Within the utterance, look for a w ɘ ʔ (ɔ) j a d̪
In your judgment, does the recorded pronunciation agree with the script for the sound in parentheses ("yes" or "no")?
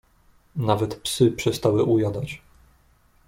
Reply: no